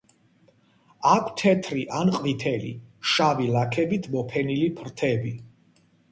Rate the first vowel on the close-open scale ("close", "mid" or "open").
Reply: open